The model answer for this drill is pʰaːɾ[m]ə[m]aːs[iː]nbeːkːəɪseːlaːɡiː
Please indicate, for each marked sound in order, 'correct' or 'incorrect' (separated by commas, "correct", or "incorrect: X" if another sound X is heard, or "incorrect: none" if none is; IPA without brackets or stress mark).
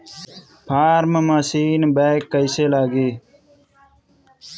correct, correct, correct